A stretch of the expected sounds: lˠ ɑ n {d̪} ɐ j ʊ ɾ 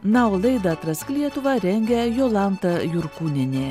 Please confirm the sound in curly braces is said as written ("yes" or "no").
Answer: no